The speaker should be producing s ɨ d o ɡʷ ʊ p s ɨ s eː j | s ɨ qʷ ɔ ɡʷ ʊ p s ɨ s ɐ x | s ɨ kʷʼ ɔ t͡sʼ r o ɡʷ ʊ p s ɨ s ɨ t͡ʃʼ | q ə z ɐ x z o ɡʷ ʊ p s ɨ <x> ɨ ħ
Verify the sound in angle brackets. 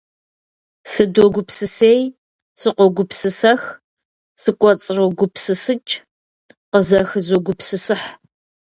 incorrect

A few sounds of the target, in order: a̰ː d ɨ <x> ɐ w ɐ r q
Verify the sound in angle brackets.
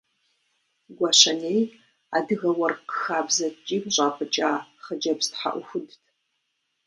incorrect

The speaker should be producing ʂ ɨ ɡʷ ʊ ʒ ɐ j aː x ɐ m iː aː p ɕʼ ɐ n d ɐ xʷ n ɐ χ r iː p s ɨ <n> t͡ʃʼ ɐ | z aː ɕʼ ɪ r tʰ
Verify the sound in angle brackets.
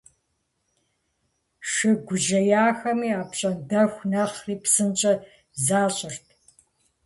correct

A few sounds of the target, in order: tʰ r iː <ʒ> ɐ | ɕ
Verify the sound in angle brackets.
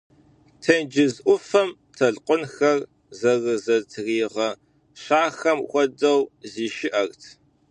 incorrect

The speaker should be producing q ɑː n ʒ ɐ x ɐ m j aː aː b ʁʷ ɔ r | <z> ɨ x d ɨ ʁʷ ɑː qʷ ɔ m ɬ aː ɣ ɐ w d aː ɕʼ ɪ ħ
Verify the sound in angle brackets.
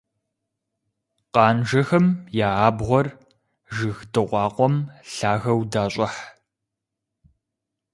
incorrect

